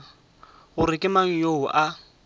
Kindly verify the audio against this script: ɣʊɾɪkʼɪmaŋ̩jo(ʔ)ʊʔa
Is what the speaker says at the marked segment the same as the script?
no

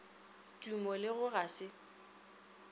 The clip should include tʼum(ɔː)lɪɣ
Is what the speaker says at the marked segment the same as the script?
no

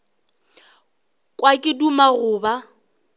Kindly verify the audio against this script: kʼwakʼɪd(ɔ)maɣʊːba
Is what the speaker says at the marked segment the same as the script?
no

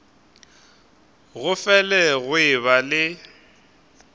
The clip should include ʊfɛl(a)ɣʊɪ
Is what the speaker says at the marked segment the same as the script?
no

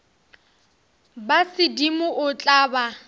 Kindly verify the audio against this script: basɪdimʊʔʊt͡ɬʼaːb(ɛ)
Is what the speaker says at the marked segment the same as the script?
no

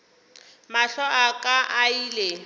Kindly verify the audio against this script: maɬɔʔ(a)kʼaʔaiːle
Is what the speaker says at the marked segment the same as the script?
yes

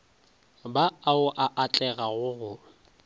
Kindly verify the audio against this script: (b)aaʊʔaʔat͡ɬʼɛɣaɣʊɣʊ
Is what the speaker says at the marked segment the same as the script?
yes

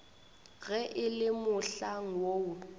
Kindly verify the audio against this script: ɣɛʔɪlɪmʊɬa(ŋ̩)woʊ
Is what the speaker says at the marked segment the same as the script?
yes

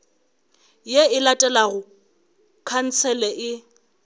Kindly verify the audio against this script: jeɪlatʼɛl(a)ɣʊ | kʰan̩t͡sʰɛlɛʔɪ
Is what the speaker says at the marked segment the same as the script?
yes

